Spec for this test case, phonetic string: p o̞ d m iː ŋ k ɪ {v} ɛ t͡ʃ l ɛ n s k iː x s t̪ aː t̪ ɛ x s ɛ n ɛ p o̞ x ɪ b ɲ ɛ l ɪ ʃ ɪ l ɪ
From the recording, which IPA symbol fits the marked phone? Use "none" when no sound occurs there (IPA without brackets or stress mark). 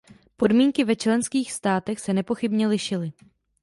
v